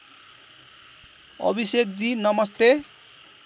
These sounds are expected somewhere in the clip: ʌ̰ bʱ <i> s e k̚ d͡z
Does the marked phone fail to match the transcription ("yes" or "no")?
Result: no